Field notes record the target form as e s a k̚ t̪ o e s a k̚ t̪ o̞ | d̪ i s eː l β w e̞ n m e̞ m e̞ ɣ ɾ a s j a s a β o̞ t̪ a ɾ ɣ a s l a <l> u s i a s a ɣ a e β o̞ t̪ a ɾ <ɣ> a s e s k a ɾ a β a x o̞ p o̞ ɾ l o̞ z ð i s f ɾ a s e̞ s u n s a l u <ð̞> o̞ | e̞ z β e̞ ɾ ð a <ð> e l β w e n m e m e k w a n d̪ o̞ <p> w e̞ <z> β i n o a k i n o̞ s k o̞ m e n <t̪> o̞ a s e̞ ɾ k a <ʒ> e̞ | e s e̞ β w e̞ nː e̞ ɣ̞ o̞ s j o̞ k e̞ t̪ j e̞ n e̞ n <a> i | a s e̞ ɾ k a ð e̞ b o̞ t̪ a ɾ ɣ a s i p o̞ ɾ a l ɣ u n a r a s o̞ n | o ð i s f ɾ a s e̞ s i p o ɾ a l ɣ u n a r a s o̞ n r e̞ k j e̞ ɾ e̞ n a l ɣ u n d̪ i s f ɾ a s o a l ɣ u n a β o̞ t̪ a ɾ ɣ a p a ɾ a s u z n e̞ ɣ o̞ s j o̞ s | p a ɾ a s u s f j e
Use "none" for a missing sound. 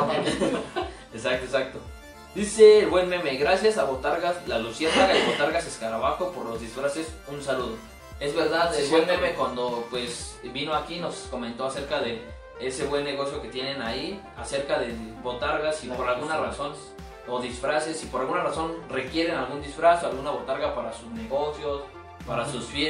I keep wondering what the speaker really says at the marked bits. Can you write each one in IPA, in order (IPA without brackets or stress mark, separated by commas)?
l, ɣ, ð̞, ð, p, s, t̪, ð, a